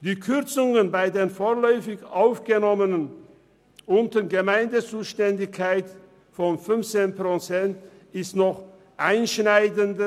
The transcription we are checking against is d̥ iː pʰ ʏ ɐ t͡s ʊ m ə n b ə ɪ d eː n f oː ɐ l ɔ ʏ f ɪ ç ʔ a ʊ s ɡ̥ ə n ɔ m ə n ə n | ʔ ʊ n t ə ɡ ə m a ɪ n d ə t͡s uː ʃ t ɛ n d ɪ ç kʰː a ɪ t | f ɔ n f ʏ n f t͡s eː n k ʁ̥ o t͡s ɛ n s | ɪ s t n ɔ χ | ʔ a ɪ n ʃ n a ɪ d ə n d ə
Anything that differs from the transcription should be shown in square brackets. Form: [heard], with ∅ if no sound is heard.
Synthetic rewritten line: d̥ iː [kʰ] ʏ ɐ t͡s ʊ [ŋ] ə n b [a] ɪ d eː n f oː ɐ l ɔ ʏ f ɪ ç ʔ a ʊ [f] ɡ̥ ə n ɔ m ə n ə n | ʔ ʊ n t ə ɡ ə m a ɪ n d ə t͡s uː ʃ t ɛ n d ɪ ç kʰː a ɪ t | f ɔ n f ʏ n f t͡s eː n [p] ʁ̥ o t͡s ɛ n [t] | ɪ s t n ɔ χ | ʔ a ɪ n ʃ n a ɪ d ə n d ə